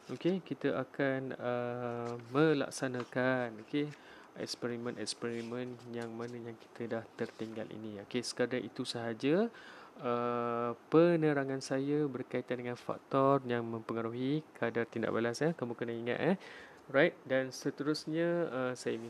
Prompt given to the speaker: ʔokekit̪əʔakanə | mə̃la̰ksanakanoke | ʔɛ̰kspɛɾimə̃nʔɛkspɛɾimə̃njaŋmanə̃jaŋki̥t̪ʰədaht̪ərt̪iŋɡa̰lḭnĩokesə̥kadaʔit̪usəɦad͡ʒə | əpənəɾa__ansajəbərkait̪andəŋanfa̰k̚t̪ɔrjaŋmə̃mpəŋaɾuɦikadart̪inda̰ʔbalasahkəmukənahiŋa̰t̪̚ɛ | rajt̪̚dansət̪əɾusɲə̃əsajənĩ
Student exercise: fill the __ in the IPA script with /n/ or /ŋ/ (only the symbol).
ŋ